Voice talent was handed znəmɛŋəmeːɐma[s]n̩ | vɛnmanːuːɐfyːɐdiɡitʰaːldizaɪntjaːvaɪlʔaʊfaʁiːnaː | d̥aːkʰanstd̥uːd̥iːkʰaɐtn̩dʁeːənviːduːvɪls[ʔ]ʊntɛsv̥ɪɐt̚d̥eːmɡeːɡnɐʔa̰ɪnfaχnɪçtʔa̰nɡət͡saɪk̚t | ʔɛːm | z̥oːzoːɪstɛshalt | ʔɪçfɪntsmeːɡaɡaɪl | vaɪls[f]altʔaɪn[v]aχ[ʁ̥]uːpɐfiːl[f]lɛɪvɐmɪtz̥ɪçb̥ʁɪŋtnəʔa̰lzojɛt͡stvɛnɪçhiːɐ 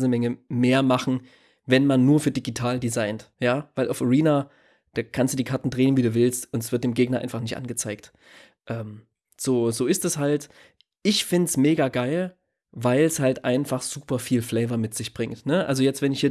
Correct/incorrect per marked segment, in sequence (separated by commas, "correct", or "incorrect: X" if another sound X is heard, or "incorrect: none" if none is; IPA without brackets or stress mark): incorrect: χ, incorrect: t, incorrect: h, incorrect: f, incorrect: z̥, correct